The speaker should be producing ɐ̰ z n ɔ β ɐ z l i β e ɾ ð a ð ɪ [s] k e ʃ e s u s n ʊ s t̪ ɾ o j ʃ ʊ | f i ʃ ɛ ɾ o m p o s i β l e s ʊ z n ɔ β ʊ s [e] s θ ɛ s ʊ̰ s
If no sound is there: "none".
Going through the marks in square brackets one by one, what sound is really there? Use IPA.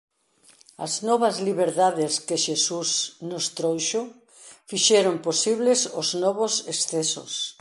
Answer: s, e

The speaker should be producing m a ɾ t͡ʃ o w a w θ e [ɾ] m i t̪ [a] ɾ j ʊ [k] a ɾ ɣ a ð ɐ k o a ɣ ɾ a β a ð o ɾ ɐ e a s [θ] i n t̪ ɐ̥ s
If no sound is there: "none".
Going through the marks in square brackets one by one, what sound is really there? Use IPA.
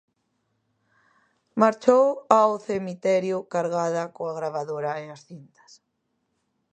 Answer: none, ɛ, k, θ

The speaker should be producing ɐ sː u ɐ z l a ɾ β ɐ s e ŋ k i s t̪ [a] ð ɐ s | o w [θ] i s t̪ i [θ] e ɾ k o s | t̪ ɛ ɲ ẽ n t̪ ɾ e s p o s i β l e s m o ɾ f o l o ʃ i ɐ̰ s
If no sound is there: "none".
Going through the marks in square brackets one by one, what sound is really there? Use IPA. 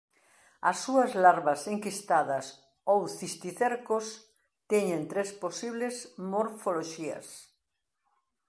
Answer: a, θ, θ

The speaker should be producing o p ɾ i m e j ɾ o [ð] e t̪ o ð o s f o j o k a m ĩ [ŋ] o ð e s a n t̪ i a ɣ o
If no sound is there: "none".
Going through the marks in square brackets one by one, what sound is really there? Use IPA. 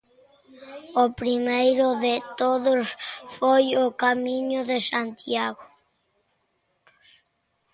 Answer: ð, ɲ

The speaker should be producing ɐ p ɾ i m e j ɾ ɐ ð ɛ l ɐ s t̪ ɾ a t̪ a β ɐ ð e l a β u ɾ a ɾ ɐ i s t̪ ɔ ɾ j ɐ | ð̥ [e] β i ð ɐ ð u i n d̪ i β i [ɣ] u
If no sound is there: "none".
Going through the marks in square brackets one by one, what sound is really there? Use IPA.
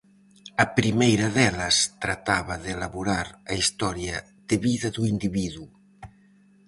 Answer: e, ð

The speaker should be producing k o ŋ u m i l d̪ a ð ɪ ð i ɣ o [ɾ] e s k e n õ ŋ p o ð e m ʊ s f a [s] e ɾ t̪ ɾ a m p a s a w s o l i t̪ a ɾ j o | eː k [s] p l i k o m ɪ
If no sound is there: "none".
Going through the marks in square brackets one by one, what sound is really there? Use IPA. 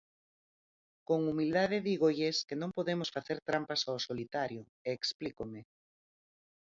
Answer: ʎ, θ, s

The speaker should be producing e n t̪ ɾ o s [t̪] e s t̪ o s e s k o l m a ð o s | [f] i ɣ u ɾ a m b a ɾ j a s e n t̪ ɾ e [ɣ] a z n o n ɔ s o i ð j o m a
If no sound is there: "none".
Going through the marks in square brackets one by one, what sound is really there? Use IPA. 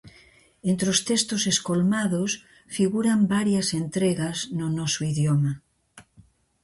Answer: t̪, f, ɣ

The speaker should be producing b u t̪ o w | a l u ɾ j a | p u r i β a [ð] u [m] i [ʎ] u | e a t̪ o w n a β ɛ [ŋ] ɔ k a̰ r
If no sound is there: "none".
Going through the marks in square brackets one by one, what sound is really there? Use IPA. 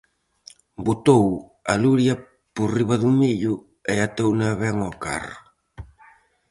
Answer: ð, m, ʎ, ŋ

